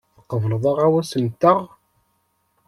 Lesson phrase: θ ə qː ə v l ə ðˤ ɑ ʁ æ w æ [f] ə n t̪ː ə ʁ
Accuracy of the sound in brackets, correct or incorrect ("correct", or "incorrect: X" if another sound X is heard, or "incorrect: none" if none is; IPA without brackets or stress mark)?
incorrect: s